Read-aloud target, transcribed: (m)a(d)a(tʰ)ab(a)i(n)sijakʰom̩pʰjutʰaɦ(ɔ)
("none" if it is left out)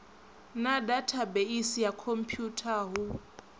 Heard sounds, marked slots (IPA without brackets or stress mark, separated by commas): n, d, tʰ, e, none, u